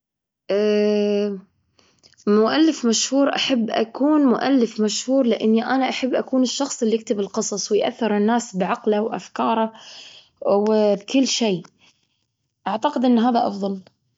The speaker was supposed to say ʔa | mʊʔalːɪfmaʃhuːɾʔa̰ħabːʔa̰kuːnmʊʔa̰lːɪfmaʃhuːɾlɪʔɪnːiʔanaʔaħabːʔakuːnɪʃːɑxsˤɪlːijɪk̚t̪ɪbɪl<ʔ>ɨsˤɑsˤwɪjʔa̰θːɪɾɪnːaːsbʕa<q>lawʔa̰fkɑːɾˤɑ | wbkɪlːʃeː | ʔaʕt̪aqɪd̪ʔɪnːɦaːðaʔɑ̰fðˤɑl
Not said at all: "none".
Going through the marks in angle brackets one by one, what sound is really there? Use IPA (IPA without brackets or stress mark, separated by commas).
q, q